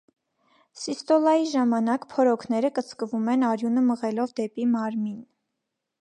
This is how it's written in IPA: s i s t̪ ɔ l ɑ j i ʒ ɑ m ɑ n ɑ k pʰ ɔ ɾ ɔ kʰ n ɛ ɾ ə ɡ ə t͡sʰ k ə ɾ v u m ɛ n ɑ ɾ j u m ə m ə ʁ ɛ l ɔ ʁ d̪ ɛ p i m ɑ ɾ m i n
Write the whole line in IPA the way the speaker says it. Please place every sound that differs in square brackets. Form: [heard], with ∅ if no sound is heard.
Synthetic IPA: s i s t̪ ɔ l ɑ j i ʒ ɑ m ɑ n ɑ k pʰ ɔ ɾ ɔ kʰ n ɛ ɾ ə [k] ə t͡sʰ k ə [∅] v u m ɛ n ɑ ɾ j u [n] ə m ə ʁ ɛ l ɔ [v] d̪ ɛ p i m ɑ ɾ m i n